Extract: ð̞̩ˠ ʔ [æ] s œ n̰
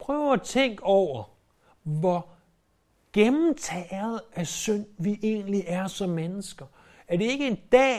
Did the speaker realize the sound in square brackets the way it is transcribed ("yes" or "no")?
yes